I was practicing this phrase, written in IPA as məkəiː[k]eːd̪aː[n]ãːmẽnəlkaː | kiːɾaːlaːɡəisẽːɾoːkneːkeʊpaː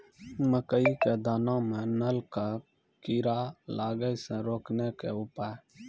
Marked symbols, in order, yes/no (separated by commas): yes, yes